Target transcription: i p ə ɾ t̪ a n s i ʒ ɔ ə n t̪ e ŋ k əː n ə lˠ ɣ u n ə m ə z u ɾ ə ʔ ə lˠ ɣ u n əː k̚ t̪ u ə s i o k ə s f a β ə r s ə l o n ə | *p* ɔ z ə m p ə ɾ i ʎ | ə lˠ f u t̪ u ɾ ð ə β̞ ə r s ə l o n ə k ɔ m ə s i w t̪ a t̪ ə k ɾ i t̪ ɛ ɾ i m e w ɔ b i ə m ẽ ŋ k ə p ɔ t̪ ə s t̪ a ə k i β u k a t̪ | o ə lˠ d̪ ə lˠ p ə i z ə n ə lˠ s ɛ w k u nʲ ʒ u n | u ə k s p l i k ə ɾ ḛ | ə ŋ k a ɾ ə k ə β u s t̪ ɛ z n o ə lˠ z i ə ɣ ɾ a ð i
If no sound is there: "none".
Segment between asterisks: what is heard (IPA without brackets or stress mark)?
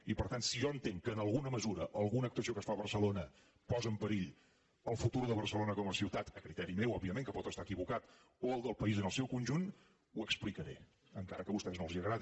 p